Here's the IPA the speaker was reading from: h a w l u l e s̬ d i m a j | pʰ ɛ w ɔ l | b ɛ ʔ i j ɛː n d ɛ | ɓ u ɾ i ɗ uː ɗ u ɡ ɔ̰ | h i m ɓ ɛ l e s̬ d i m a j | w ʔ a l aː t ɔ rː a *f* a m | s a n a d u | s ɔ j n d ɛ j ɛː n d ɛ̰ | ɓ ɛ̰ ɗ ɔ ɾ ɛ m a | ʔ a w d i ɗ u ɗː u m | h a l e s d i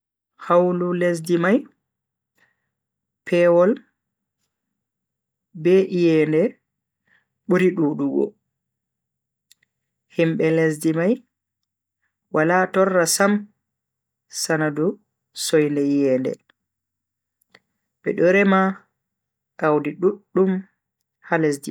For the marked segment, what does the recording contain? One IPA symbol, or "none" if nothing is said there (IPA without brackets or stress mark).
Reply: s